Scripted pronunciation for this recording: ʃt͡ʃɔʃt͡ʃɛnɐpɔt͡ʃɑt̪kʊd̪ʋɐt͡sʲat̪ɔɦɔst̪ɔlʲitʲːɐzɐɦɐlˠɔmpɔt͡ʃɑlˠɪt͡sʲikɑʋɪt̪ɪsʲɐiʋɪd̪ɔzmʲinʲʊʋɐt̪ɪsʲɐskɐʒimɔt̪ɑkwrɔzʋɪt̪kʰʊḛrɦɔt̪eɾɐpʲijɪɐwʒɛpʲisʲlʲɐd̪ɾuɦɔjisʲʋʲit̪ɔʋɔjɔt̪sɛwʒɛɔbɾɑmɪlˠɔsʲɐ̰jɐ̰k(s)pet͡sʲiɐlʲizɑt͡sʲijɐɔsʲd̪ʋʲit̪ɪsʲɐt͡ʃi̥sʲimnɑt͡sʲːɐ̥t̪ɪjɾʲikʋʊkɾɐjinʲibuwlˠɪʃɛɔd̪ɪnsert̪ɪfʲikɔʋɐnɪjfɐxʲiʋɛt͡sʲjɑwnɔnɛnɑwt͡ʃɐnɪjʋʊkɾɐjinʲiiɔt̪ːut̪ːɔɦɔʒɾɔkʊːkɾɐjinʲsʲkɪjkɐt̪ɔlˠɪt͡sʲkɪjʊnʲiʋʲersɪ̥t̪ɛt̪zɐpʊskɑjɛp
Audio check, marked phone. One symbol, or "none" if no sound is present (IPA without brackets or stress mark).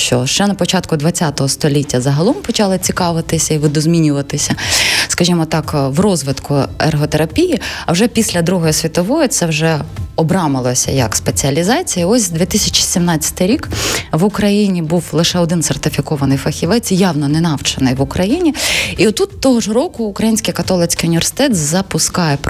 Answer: s